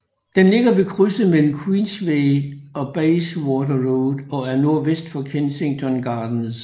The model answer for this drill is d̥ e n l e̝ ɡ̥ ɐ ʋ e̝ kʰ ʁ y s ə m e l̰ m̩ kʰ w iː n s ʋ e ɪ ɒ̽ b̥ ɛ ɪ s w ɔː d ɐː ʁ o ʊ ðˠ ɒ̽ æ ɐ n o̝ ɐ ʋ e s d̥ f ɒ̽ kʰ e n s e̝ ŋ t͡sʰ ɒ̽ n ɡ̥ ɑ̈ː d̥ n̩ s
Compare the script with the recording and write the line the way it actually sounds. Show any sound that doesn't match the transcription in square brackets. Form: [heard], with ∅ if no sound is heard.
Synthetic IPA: d̥ e n l e̝ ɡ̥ ɐ ʋ e̝ kʰ ʁ y s ə m e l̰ m̩ kʰ w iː n s ʋ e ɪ ɒ̽ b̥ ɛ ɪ s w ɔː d [ɐ] ʁ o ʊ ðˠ ɒ̽ æ ɐ n o̝ ɐ ʋ e s d̥ f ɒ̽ kʰ e n s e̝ ŋ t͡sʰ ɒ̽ n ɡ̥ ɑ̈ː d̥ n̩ s